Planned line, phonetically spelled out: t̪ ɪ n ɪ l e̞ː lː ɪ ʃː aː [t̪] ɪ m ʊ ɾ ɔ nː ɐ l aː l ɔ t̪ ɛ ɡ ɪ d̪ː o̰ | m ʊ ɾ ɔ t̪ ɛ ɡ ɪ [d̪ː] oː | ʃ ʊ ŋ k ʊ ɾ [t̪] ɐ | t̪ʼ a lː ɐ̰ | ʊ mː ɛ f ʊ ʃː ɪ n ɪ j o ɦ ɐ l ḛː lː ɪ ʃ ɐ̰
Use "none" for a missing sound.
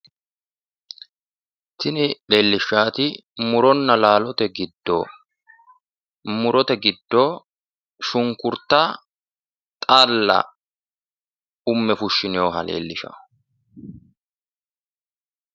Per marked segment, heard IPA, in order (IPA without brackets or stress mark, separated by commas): t̪, d̪ː, t̪